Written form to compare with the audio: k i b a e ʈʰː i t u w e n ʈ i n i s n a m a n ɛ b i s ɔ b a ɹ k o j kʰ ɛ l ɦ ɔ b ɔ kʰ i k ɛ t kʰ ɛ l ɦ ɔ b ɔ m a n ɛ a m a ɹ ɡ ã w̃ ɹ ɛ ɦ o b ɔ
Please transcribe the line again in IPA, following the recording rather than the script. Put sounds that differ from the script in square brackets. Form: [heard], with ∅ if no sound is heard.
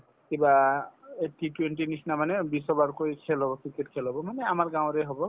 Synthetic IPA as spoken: k i b a e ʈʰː i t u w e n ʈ i n i s n a m a n ɛ b i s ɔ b a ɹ k o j kʰ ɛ l ɦ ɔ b ɔ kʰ i k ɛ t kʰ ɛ l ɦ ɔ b ɔ m a n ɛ a m a ɹ ɡ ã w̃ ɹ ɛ ɦ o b ɔ

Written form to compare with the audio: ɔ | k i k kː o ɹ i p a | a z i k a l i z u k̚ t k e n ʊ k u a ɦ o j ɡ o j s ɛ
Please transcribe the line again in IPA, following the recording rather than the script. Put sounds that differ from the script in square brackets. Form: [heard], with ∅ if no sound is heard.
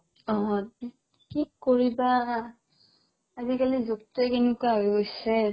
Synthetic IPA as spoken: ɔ | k i k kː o ɹ i [b] a | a z i k a l i z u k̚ t k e n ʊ k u a ɦ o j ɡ o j s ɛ

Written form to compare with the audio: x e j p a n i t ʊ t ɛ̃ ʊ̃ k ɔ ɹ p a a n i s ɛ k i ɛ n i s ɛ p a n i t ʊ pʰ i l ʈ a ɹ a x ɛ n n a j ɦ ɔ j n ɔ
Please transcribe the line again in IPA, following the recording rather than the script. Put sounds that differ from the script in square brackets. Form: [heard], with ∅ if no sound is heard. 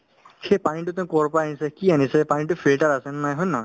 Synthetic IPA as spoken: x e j p a n i t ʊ t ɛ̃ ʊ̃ k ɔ ɹ p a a n i s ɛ k i [a] n i s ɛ p a n i t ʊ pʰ i l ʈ a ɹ a [s] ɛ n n a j ɦ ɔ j n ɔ

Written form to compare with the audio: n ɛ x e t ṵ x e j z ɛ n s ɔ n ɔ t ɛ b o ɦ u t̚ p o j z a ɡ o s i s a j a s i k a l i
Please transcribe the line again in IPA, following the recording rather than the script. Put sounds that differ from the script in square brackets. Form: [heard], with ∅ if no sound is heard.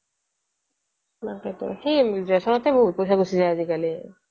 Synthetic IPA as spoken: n [a] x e t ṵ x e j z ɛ [∅] s ɔ n ɔ t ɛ b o ɦ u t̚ p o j [s] a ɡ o s i [z] a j a [z] i k a l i

